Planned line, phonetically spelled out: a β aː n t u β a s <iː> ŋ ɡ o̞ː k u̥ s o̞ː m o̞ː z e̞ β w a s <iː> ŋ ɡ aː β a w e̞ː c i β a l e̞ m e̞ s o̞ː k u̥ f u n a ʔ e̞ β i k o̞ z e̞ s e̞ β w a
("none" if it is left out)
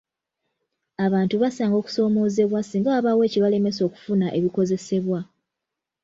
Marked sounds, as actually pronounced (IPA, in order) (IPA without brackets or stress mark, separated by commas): aː, iː